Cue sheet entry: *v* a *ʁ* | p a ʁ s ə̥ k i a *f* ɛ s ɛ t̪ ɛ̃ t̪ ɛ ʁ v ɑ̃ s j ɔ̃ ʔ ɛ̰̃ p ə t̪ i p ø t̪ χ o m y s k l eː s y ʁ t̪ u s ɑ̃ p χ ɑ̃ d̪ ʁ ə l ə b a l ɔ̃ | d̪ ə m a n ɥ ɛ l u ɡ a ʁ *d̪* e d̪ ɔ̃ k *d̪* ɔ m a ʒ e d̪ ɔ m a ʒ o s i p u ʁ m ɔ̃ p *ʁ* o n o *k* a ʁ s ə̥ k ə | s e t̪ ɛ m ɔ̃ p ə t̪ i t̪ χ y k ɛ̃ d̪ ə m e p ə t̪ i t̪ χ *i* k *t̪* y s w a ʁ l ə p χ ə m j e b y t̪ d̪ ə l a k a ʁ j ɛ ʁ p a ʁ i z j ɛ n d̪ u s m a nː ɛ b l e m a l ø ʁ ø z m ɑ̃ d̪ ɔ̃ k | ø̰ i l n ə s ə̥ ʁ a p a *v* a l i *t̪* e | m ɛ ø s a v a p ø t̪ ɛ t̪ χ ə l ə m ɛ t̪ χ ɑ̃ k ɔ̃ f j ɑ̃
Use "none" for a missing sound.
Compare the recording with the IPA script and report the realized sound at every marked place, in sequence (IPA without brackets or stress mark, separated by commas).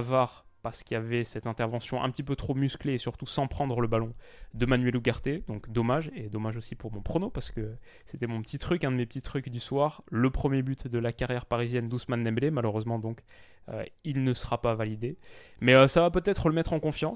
v, ʁ, v, t̪, d̪, χ, p, y, d̪, v, d̪